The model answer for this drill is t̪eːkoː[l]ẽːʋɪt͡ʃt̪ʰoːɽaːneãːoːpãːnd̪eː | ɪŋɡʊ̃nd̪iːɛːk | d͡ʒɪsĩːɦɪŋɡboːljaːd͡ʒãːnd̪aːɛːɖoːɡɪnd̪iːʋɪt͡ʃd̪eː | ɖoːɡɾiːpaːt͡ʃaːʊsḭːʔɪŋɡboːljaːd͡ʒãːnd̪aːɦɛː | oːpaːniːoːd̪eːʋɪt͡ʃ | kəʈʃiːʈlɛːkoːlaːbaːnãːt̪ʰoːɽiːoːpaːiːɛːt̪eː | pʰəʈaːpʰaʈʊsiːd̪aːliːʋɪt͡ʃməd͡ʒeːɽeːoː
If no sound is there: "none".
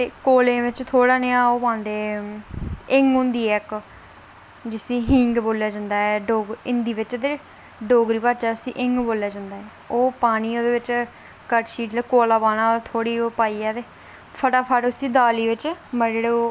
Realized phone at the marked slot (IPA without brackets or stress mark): l